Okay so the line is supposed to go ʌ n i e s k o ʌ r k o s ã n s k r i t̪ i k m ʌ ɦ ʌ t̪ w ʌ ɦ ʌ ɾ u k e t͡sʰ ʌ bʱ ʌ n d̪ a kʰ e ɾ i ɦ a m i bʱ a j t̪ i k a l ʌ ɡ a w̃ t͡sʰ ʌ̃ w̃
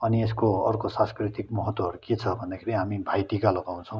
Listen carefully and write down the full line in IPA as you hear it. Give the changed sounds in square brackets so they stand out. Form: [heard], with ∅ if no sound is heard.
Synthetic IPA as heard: ʌ n i e s k o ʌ r k o s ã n s k r i t̪ i k m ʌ ɦ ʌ t̪ w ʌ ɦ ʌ ɾ u k e t͡sʰ ʌ bʱ ʌ n d̪ a kʰ e ɾ i ɦ a m i bʱ a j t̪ i k a l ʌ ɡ a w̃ t͡sʰ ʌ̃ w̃